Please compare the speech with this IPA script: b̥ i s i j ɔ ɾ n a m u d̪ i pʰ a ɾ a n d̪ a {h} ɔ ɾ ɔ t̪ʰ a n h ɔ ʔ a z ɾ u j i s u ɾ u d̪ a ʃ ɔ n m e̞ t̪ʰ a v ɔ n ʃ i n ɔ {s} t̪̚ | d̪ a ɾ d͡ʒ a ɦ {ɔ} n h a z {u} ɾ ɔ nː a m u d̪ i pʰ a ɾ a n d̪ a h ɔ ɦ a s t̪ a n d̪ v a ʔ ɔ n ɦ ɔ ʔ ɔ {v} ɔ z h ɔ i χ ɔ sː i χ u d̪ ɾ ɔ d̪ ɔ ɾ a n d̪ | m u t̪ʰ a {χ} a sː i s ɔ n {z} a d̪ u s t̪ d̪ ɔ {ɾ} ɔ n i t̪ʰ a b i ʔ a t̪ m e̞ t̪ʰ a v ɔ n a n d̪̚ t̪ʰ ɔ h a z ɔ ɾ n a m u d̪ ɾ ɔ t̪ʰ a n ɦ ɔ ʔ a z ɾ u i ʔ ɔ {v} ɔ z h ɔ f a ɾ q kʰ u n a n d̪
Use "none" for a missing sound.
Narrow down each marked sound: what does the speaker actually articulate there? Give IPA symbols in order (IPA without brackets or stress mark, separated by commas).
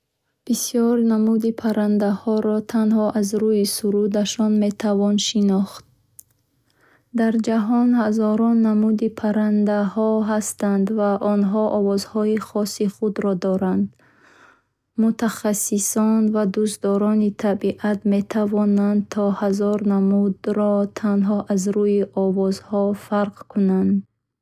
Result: h, χ, ɔ, ɔ, v, χ, v, ɾ, v